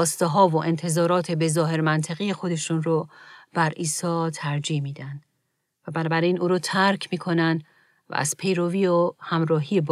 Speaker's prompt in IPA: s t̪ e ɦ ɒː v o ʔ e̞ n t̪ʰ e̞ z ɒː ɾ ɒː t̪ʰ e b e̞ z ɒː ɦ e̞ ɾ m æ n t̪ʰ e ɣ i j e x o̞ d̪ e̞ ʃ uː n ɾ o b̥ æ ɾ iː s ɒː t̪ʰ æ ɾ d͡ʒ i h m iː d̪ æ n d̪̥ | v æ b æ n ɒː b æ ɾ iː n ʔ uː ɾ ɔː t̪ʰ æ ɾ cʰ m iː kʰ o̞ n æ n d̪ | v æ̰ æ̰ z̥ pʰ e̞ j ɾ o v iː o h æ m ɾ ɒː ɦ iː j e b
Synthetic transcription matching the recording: s t̪ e ɦ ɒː v o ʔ e̞ n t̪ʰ e̞ z ɒː ɾ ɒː t̪ʰ e b e̞ z ɒː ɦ e̞ ɾ m æ n t̪ʰ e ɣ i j e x o̞ d̪ e̞ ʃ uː n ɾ o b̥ æ ɾ iː s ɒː t̪ʰ æ ɾ d͡ʒ i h m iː d̪ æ n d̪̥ | v æ b æ n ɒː b æ ɾ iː n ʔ uː ɾ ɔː t̪ʰ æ ɾ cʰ m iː kʰ o̞ n æ n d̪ | v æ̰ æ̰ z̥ pʰ e̞ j ɾ o v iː o h æ m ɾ ɒː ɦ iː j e b